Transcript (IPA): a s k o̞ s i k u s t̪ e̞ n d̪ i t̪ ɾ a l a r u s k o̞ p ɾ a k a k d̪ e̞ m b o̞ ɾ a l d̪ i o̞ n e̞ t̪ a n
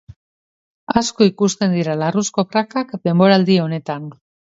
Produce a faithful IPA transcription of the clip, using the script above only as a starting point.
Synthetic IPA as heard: a s k o̞ i k u s t̪ e̞ n d̪ i ɾ a l a r u s k o̞ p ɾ a k a k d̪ e̞ m b o̞ ɾ a l d̪ i o̞ n e̞ t̪ a n